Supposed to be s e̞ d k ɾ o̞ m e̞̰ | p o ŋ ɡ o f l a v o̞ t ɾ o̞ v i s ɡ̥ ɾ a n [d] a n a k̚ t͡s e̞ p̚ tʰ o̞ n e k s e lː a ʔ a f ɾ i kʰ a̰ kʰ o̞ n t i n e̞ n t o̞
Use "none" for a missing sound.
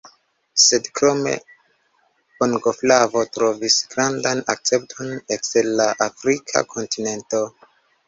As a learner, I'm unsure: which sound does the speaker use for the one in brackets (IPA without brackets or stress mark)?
d